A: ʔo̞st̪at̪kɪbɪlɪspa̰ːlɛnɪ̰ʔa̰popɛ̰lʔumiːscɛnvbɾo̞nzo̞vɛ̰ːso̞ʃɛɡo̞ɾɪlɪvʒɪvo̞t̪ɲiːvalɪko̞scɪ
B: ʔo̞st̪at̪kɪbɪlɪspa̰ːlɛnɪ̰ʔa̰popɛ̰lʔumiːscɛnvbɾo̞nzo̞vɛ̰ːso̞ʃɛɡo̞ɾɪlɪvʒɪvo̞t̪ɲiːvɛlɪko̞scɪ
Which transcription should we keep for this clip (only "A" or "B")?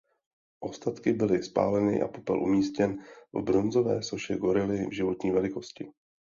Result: B